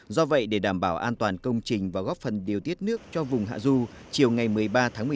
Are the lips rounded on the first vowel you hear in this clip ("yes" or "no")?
yes